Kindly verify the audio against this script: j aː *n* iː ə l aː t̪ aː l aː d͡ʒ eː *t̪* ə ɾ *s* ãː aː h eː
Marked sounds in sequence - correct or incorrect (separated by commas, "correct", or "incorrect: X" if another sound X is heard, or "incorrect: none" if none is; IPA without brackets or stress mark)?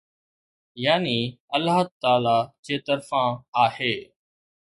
correct, correct, incorrect: f